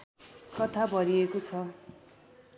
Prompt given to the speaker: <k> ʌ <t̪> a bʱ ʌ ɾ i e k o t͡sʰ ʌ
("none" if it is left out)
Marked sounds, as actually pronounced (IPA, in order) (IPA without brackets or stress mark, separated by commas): k, t̪ʰ